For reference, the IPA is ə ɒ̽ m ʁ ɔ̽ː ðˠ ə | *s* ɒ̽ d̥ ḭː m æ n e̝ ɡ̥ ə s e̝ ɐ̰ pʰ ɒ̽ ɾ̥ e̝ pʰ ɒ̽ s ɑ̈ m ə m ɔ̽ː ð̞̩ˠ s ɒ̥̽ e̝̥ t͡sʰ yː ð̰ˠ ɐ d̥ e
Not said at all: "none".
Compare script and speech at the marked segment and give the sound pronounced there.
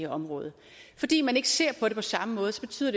f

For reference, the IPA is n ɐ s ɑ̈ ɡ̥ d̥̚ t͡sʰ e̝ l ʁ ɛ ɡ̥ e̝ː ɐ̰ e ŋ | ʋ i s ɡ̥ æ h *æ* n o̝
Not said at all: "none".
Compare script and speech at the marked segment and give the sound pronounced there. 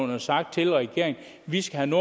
æ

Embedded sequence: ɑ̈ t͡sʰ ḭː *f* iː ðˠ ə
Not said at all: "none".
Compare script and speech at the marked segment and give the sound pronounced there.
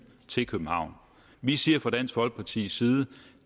s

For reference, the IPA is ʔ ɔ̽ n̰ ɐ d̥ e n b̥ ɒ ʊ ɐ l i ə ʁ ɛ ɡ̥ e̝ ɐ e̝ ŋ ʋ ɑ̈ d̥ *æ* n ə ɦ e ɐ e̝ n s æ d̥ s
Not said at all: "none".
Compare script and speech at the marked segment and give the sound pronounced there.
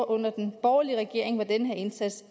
e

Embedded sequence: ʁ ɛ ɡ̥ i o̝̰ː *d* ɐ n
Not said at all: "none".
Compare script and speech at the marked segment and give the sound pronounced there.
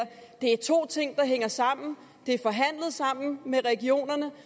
n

